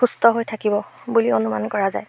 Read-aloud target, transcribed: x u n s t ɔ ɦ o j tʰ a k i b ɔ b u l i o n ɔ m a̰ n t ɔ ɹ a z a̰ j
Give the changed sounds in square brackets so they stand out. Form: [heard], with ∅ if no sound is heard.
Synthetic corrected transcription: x u [∅] s t ɔ ɦ o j tʰ a k i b ɔ b u l i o n [u] m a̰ n [k] ɔ ɹ a z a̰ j

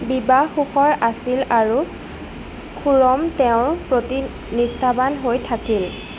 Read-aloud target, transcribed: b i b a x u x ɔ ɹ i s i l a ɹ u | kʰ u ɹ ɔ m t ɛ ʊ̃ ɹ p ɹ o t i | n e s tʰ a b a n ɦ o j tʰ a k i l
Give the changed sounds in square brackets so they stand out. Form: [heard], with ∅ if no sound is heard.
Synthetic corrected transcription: b i b a x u x ɔ ɹ [a] s i l a ɹ u | kʰ u ɹ ɔ m t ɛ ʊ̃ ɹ p ɹ o t i | n [i] s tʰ a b a n ɦ o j tʰ a k i l

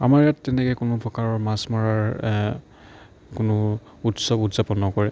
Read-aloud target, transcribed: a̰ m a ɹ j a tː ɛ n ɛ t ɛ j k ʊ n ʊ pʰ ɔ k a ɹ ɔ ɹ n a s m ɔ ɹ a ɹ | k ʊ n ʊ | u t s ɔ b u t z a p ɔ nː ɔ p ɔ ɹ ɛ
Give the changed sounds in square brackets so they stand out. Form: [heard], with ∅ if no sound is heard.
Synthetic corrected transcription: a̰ m a ɹ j a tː ɛ n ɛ [k] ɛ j k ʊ n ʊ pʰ ɔ k a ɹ ɔ ɹ [m] a s m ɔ ɹ a ɹ | k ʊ n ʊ | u t s ɔ b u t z a p ɔ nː ɔ [k] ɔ ɹ ɛ

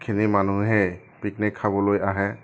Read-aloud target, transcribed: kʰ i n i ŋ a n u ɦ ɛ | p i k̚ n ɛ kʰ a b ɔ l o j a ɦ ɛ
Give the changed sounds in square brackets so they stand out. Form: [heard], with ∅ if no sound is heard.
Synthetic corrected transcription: kʰ i n i [m] a n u ɦ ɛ | p i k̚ n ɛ kʰ a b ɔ l o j a ɦ ɛ

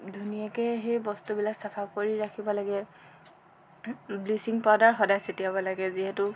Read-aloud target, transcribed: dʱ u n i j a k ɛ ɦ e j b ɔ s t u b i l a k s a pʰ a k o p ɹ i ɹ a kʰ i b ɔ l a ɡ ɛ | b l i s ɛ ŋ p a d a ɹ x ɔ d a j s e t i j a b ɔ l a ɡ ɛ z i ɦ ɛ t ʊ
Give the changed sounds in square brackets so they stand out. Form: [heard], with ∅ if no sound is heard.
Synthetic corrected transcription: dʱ u n i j a k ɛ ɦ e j b ɔ s t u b i l a k s a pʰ a k o [∅] ɹ i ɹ a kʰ i b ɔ l a ɡ ɛ | b l i s [i] ŋ p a d a ɹ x ɔ d a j s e t i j a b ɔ l a ɡ ɛ z i ɦ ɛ t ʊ

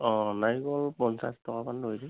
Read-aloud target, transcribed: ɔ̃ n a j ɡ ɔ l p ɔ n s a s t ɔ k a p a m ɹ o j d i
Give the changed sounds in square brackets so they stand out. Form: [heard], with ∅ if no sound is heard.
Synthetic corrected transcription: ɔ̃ n a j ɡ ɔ l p ɔ n s a s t ɔ k a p a [n] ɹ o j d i

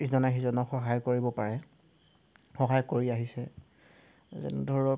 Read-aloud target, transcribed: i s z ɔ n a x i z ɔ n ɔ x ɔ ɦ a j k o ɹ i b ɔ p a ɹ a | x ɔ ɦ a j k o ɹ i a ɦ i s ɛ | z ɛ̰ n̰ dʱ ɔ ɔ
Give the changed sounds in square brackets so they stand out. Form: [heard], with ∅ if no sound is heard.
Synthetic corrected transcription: i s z ɔ n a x i z ɔ n ɔ x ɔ ɦ a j k o ɹ i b ɔ p a ɹ [ɛ] | x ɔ ɦ a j k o ɹ i a ɦ i s ɛ | z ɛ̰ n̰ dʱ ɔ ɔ

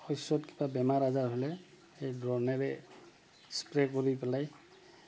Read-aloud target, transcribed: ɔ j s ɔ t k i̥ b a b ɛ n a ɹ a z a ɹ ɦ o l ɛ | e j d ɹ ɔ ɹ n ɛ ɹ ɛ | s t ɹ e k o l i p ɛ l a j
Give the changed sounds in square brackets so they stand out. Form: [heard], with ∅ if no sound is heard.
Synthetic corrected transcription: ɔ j s ɔ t k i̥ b a b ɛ [m] a ɹ a z a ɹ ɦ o l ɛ | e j d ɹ ɔ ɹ n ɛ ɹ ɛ | s [p] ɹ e k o [ɹ] i p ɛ l a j

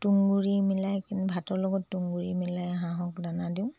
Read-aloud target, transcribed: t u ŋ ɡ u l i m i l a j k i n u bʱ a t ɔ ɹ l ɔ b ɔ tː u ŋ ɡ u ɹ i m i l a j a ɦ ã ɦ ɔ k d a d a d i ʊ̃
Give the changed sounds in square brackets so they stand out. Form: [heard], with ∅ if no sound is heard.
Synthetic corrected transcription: t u ŋ ɡ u [ɹ] i m i l a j k i n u bʱ a t ɔ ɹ l ɔ [ɡ] ɔ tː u ŋ ɡ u ɹ i m i l a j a ɦ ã ɦ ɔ k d a [n] a d i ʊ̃

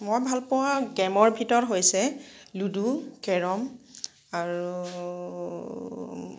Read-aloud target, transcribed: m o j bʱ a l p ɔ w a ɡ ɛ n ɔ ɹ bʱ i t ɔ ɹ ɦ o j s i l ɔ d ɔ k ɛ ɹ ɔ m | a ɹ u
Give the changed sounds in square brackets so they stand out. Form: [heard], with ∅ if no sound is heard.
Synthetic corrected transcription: m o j bʱ a l p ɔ w a ɡ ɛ [m] ɔ ɹ bʱ i t ɔ ɹ ɦ o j s [ɛ] l [u] d [u] k ɛ ɹ ɔ m | a ɹ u

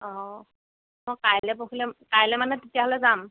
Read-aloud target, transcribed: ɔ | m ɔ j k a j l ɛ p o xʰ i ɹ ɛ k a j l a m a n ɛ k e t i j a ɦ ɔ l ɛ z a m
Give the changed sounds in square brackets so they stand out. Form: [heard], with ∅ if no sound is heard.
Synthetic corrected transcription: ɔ | m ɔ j k a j l ɛ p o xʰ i [l] ɛ k a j l [ɛ] m a n ɛ [t] e t i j a ɦ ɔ l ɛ z a m

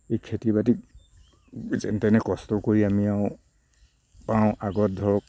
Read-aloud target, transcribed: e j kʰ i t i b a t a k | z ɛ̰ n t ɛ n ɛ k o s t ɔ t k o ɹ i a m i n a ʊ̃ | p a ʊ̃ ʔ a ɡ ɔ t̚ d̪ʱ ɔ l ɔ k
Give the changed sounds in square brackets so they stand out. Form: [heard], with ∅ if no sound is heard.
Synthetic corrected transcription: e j kʰ [e] t i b a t [i] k | z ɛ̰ n t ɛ n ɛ k [ɔ] s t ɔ [∅] k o ɹ i a m i [∅] a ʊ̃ | p a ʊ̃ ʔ a ɡ ɔ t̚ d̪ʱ ɔ [ɹ] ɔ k

